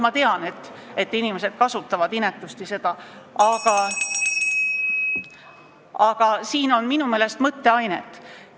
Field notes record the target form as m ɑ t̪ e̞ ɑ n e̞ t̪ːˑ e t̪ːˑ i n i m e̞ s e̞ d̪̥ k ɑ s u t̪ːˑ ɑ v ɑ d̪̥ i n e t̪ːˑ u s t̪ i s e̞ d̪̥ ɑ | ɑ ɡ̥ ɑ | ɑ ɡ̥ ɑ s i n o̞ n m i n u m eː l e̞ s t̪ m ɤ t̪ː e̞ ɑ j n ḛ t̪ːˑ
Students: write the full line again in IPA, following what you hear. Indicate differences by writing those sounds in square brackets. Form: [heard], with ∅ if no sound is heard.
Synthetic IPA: m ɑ t̪ e̞ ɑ n e̞ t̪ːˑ e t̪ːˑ i n i m e̞ s e̞ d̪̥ k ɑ s u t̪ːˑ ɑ v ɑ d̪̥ i n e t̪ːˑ u s t̪ i s e̞ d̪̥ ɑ | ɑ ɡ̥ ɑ | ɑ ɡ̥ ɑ s [iː] n o̞ n m i n u m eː l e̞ s t̪ m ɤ t̪ː e̞ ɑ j n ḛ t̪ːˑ